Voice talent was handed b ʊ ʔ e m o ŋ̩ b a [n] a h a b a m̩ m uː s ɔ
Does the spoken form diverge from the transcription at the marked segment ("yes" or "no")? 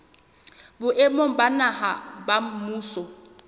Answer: no